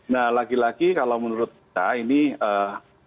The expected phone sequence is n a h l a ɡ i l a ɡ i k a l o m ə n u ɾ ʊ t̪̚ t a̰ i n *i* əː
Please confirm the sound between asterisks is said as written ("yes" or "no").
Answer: yes